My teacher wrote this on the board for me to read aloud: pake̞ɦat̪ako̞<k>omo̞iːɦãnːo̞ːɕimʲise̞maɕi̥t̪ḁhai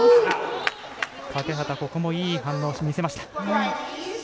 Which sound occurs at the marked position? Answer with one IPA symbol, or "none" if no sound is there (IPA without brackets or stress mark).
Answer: k